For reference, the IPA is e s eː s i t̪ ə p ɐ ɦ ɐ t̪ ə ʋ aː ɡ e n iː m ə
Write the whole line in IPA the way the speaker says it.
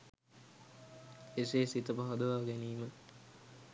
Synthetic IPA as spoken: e s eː s i t̪ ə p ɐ ɦ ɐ d̪ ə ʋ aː ɡ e n iː m ə

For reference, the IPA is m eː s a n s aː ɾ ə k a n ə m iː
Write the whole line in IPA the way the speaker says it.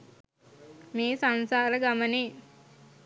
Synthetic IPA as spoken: m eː s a n s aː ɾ ə ɡ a m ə n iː

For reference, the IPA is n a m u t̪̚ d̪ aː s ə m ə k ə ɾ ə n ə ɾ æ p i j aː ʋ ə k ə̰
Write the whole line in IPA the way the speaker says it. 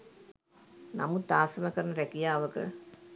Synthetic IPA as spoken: n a m u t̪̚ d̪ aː s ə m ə k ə ɾ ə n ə ɾ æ k i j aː ʋ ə k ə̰

